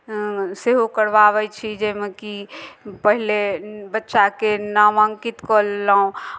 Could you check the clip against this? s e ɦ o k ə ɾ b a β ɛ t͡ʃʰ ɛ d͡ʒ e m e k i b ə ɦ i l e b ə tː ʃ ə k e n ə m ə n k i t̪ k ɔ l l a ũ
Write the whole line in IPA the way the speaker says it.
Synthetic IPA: s e ɦ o k ə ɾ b a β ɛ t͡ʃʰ i d͡ʒ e m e k i p ə ɦ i l e b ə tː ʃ a k e n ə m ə ŋ k i t̪ k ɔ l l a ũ

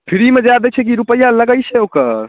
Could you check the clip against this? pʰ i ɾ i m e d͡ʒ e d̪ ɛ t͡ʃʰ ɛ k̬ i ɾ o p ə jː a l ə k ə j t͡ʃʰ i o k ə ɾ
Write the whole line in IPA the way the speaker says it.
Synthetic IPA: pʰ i ɾ i m e d͡ʒ a d̪ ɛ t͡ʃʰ ɛ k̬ i ɾ u p ə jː a l ə ɡ ə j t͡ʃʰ ɛ o k ə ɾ

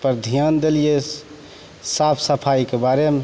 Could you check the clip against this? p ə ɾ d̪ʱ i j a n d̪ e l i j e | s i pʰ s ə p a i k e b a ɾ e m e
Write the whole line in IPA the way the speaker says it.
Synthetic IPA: p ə ɾ d̪ʱ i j a n d̪ e l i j e | s a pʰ s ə pʰ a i k e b a ɾ e m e

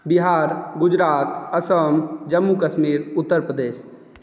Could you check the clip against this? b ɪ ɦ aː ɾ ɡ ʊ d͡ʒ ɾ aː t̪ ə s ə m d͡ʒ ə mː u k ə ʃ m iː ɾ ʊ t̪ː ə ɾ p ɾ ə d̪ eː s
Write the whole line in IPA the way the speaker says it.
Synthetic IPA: b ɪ ɦ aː ɾ ɡ ʊ d͡ʒ ɾ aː t̪ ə s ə m d͡ʒ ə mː u k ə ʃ m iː ɾ ʊ t̪ː ə ɾ p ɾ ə d̪ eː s

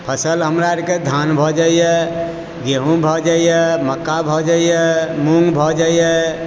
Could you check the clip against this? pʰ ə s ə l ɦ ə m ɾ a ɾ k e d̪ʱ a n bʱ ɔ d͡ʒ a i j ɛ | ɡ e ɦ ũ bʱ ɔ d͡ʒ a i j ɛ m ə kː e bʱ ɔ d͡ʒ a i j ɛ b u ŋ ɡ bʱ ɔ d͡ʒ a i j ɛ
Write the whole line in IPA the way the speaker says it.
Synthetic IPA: pʰ ə s ə l ɦ ə m ɾ a ɾ k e d̪ʱ a n bʱ ɔ d͡ʒ a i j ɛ | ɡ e ɦ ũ bʱ ɔ d͡ʒ a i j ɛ m ə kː a bʱ ɔ d͡ʒ a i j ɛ m u ŋ ɡ bʱ ɔ d͡ʒ a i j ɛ

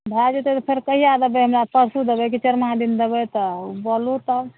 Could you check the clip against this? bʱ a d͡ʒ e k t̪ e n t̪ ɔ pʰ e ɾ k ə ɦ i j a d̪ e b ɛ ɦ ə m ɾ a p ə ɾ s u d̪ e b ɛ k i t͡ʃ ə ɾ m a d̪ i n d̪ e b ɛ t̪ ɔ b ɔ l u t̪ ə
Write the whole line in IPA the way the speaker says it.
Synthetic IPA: bʱ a d͡ʒ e t̪ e t̪ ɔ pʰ e ɾ k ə ɦ i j a d̪ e b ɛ ɦ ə m ɾ a p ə ɾ s u d̪ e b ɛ k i t͡ʃ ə ɾ m a d̪ i n d̪ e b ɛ t̪ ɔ b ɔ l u t̪ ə

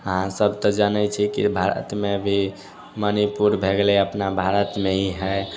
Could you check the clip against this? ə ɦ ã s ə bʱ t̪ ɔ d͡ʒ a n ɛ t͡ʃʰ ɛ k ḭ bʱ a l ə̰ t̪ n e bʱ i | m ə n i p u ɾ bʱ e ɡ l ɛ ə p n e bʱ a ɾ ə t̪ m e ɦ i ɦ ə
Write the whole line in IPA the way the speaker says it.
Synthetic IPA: ə ɦ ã s ə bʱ t̪ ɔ d͡ʒ a n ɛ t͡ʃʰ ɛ k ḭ bʱ a ɾ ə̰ t̪ m e bʱ i | m ə n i p u ɾ bʱ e ɡ l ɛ ə p n a bʱ a ɾ ə t̪ m e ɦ i ɦ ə

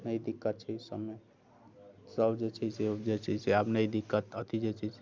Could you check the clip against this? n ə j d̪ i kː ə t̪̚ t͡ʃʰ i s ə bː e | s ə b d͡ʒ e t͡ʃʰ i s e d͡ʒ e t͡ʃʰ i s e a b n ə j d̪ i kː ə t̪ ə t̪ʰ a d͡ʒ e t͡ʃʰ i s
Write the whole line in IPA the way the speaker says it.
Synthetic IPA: n ə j d̪ i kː ə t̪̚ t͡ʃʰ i s ə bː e | s ə b d͡ʒ e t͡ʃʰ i s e d͡ʒ e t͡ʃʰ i s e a b n ə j d̪ i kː ə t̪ ə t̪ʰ i d͡ʒ e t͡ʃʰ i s

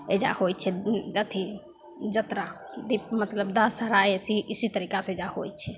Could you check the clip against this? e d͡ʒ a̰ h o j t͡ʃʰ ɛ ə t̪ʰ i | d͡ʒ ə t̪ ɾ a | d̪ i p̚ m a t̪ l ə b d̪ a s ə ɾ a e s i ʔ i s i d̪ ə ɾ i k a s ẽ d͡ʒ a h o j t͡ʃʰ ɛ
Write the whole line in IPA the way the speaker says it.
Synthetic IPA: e d͡ʒ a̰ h o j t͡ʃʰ ɛ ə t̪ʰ i | d͡ʒ ə t̪ ɾ a | d̪ i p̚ m ə t̪ l ə b d̪ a s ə ɾ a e s i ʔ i s i t̪ ə ɾ i k a s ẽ d͡ʒ a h o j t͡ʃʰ ɛ

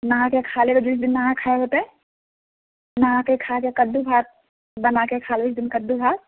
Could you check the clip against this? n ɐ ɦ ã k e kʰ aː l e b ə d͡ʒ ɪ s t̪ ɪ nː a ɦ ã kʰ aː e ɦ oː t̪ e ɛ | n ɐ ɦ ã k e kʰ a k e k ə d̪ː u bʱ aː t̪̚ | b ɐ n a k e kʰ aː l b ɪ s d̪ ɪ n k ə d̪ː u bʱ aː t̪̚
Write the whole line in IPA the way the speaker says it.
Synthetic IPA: n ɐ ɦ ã k e kʰ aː l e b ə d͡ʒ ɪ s d̪ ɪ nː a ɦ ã kʰ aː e ɦ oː t̪ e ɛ | n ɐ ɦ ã k e kʰ a k e k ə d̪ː u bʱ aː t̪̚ | b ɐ n a k e kʰ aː l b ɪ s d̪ ɪ n k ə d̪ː u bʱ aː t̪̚

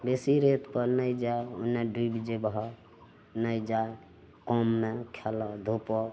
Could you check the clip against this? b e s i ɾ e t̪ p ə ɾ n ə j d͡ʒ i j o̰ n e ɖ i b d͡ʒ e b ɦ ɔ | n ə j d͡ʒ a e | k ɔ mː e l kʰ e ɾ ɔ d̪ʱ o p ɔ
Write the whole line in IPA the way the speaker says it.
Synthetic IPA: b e s i ɾ e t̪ p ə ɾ n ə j d͡ʒ a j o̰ n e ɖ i b d͡ʒ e b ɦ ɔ | n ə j d͡ʒ a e | k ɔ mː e kʰ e l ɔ d̪ʱ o p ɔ

